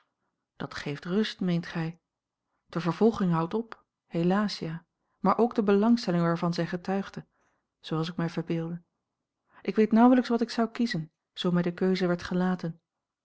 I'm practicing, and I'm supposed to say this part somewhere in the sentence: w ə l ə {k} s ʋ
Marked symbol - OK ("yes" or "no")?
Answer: yes